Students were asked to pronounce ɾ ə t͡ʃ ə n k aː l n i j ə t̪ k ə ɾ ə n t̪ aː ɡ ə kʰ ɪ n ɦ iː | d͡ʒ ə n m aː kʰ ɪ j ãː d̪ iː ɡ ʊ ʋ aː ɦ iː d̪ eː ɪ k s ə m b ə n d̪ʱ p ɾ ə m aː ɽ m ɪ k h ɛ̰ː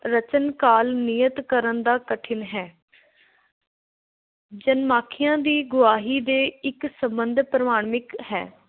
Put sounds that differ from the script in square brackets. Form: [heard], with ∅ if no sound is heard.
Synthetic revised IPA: ɾ ə t͡ʃ ə n k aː l n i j ə t̪ k ə ɾ ə n [d̪] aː [k] ə [ʈʰ] ɪ n ɦ [ɛː] | d͡ʒ ə n m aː kʰ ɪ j ãː d̪ iː ɡ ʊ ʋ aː ɦ iː d̪ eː ɪ k s ə m b ə n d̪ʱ p ɾ ə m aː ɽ m ɪ k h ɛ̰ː